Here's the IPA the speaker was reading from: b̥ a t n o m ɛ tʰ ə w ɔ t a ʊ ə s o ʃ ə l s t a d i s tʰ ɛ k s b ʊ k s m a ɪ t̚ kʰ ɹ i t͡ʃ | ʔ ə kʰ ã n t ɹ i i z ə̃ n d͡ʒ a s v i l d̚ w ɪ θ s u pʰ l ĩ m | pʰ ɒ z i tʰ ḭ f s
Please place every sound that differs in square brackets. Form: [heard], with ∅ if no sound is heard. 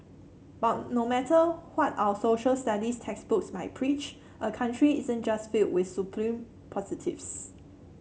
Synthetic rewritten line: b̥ a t n o m ɛ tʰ ə w ɔ t a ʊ ə s o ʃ ə l s t a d i s tʰ ɛ k s b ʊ k s m a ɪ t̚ [pʰ] ɹ i t͡ʃ | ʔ ə kʰ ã n t ɹ i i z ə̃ n d͡ʒ a s [f] i l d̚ w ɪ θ s u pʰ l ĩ m | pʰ [ɔ] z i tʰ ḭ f s